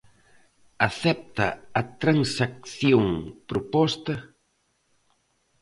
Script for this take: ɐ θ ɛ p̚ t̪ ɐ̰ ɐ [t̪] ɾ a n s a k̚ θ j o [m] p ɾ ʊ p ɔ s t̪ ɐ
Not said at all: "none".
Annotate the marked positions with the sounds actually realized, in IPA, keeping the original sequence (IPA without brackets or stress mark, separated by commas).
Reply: t̪, ŋ